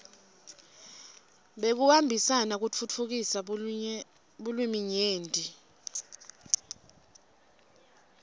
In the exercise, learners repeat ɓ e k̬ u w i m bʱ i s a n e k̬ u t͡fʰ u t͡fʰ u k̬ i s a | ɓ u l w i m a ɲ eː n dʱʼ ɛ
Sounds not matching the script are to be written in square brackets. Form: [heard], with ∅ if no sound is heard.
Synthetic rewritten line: ɓ e k̬ u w [a] m bʱ i s a n [a] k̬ u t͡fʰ u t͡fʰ u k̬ i s a | ɓ u l w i m [i] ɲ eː n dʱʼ [i]